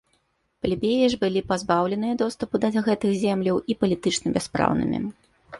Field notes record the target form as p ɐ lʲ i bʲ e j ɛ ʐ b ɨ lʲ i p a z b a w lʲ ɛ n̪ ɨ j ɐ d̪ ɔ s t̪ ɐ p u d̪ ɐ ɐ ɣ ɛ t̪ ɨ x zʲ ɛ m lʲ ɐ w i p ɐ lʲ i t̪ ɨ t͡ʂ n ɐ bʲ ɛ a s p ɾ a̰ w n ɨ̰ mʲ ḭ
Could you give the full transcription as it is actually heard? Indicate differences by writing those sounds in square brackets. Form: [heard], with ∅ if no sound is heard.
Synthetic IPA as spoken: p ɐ lʲ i bʲ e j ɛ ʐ b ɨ lʲ i p a z b a w lʲ ɛ n̪ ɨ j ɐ d̪ ɔ s t̪ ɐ p u d̪ ɐ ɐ ɣ ɛ t̪ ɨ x zʲ ɛ m lʲ ɐ w i p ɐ lʲ i t̪ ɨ t͡ʂ n ɐ bʲ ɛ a s p ɾ a̰ w n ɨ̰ mʲ ḭ

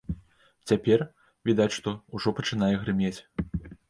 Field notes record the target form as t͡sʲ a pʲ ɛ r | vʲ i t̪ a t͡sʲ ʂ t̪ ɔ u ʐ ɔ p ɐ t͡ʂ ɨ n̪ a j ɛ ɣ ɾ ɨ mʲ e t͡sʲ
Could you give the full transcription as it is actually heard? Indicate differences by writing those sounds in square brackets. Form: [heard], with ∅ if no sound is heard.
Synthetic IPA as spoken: t͡sʲ a pʲ ɛ r | vʲ i [d̪] a t͡sʲ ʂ t̪ ɔ u ʐ ɔ p ɐ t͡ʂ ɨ n̪ a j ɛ ɣ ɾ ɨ mʲ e t͡sʲ

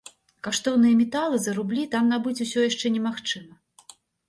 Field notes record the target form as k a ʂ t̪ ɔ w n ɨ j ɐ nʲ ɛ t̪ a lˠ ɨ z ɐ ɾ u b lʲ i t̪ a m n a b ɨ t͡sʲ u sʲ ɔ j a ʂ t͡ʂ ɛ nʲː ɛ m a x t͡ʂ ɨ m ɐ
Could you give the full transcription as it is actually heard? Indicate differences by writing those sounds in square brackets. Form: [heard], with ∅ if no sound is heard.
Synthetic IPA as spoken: k a ʂ t̪ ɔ w n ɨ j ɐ [mʲ] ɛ t̪ a lˠ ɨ z ɐ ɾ u b lʲ i t̪ a m n a b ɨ t͡sʲ u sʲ ɔ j a ʂ t͡ʂ ɛ [nʲ] ɛ m a x t͡ʂ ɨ m ɐ

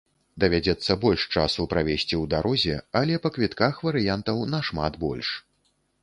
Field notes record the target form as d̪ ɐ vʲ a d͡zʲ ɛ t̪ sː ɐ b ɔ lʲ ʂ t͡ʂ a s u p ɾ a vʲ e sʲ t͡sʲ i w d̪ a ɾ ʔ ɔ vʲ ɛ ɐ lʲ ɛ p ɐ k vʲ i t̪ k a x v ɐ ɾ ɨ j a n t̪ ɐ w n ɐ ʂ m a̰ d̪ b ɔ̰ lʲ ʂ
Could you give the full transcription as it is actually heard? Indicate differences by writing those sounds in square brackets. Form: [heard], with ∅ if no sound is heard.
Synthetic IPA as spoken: d̪ ɐ vʲ a d͡zʲ ɛ t̪ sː ɐ b ɔ lʲ ʂ t͡ʂ a s u p ɾ a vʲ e sʲ t͡sʲ i w d̪ a ɾ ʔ ɔ [zʲ] ɛ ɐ lʲ ɛ p ɐ k vʲ i t̪ k a x v ɐ ɾ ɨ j a n t̪ ɐ w n ɐ ʂ m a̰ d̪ b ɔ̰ lʲ ʂ

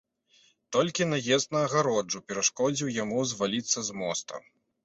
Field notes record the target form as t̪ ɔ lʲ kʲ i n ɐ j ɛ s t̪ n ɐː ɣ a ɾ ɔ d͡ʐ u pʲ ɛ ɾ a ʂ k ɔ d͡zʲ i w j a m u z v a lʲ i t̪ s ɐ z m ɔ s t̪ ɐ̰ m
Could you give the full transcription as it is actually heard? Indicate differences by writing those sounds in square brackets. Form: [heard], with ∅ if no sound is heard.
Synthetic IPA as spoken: t̪ ɔ lʲ kʲ i n ɐ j ɛ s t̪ n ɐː ɣ a ɾ ɔ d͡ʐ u pʲ ɛ ɾ a ʂ k ɔ d͡zʲ i w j a m u z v a lʲ i t̪ [sː] ɐ z m ɔ s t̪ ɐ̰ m

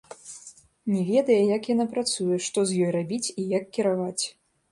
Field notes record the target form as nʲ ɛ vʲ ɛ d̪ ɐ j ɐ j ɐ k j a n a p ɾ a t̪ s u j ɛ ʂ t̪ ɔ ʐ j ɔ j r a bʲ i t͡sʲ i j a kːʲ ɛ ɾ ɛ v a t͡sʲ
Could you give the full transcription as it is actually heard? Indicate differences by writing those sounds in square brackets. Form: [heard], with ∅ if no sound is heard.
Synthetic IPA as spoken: nʲ ɛ vʲ ɛ d̪ ɐ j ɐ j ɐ k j a n a p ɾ a t̪ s u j ɛ ʂ t̪ ɔ [z] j ɔ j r a bʲ i t͡sʲ i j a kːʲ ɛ ɾ [a] v a t͡sʲ

